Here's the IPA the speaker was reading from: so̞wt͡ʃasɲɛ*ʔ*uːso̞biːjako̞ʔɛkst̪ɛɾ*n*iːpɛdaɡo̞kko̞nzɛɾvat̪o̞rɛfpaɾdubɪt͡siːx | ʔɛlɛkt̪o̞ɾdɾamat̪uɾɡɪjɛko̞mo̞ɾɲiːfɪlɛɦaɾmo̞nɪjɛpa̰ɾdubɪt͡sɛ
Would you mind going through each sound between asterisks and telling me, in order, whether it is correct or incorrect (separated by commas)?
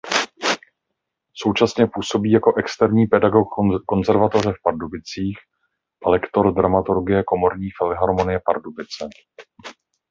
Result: incorrect, incorrect